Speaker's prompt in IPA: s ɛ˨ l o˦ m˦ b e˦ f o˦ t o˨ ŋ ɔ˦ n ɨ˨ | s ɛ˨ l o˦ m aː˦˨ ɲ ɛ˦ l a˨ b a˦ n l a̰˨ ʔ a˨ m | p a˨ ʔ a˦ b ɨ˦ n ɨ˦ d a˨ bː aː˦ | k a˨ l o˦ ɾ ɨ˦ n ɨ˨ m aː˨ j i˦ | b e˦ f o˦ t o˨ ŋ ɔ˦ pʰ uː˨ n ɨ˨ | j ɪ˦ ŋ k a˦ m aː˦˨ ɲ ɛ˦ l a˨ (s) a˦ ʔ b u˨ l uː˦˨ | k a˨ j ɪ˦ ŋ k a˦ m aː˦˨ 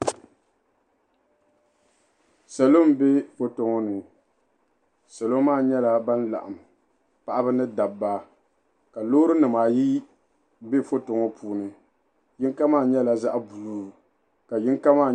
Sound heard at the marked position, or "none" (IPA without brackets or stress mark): z